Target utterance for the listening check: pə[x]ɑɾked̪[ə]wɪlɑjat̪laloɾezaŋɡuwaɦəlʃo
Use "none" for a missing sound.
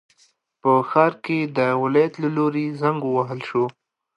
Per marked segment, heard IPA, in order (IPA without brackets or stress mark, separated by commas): x, ə